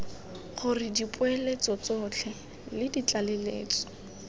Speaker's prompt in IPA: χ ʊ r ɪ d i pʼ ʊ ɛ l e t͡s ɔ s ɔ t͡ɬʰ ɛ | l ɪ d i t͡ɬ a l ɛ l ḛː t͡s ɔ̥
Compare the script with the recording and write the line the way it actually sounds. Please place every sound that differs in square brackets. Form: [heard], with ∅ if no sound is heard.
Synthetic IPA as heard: χ ʊ r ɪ d i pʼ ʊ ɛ l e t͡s ɔ [t͡s] ɔ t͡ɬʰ ɛ | l ɪ d i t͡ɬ a l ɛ l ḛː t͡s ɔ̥